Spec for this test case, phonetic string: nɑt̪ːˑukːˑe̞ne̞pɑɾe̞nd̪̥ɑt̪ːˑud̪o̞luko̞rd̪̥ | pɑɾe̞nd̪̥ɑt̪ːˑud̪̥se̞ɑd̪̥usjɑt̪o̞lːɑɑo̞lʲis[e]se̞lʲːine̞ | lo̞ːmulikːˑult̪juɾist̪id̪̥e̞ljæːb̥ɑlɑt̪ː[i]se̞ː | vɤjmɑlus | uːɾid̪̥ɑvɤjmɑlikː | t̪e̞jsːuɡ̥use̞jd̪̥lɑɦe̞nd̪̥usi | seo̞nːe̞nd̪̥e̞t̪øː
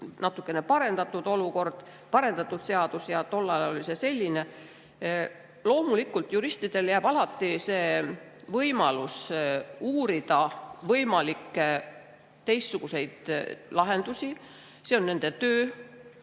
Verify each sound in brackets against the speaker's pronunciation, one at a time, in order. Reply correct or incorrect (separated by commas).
correct, correct